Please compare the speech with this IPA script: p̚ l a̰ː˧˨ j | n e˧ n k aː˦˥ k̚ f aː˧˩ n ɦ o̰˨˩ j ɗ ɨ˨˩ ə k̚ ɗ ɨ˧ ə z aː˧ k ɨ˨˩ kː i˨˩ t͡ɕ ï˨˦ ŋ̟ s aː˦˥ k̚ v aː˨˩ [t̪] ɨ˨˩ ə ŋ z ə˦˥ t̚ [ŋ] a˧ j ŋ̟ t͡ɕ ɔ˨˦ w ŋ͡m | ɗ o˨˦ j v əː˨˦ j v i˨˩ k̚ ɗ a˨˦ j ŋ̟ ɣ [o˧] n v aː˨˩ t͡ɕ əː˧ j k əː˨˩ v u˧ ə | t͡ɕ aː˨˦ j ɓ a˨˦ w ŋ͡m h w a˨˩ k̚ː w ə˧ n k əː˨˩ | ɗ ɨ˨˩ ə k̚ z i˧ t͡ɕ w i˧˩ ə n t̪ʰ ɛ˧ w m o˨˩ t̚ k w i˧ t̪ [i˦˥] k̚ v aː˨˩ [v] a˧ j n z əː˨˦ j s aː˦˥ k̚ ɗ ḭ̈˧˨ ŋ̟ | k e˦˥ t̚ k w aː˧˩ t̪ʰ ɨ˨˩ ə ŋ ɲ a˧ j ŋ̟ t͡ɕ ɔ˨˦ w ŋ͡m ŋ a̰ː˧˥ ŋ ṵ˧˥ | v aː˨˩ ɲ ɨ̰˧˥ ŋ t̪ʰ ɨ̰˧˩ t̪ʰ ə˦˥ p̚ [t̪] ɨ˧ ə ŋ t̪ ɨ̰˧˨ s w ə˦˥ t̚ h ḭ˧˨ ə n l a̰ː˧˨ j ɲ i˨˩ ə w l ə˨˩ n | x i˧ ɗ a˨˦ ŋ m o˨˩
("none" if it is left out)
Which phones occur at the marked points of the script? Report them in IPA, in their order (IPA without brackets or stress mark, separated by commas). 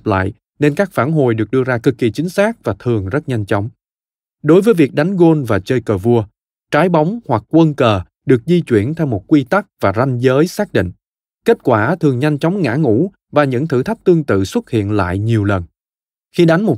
t̪ʰ, ɲ, o˧, a˦˥, z, t̪